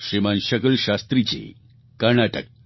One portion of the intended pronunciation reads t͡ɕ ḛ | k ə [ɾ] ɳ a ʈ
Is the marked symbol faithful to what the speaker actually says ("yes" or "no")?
yes